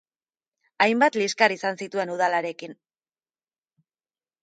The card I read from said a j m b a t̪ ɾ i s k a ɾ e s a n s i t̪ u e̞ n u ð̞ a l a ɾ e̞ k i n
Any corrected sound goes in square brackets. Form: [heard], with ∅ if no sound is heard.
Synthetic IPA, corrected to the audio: a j m b a t̪ [l] i s k a ɾ [i] s a n s i t̪ u e̞ n u ð̞ a l a ɾ e̞ k i n

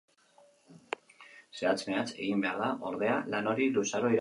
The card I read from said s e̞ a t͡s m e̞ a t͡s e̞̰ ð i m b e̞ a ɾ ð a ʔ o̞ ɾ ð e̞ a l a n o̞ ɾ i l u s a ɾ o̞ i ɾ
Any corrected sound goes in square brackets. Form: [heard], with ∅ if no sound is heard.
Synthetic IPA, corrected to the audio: s e̞ a t͡s m e̞ a t͡s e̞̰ [ɣ] i m b e̞ a ɾ ð a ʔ o̞ ɾ ð e̞ a l a n o̞ ɾ i l u s a ɾ o̞ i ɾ

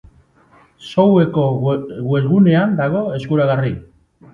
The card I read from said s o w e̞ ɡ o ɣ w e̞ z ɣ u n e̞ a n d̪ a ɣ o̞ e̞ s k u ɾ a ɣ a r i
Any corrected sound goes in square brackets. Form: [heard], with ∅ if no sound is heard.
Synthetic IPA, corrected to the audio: s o w e̞ [k] o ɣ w e̞ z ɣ u n e̞ a n d̪ a ɣ o̞ e̞ s k u ɾ a ɣ a r i

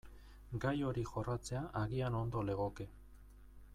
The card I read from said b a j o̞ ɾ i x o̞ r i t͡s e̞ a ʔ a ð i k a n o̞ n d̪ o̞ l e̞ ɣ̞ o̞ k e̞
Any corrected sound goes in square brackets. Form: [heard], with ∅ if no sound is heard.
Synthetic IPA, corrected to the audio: [ɡ] a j o̞ ɾ i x o̞ r [a] t͡s e̞ a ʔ a [ɣ] i [∅] a n o̞ n d̪ o̞ l e̞ ɣ̞ o̞ k e̞

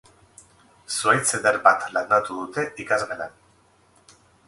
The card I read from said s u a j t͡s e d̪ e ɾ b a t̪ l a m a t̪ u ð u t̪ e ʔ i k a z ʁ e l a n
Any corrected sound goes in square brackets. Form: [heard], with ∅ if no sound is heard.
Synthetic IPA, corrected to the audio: s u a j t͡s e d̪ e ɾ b a t̪ l a [n] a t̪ u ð u t̪ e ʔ i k a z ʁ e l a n

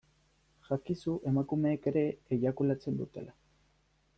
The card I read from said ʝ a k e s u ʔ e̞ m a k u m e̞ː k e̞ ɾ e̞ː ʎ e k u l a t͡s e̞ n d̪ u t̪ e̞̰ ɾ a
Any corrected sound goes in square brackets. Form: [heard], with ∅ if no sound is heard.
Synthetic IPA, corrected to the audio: ʝ a k [i] s u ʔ e̞ m a k u m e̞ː k e̞ ɾ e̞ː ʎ [a] k u l a t͡s e̞ n d̪ u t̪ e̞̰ [l] a

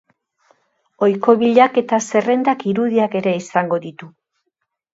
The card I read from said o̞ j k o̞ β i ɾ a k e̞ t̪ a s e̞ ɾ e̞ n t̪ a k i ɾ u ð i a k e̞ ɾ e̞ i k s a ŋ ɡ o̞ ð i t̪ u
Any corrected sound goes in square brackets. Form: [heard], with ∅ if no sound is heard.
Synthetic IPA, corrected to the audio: o̞ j k o̞ β i [ʎ] a k e̞ t̪ a s e̞ [r] e̞ n [d̪] a k i ɾ u ð i a k e̞ ɾ e̞ i [∅] s a ŋ ɡ o̞ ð i t̪ u

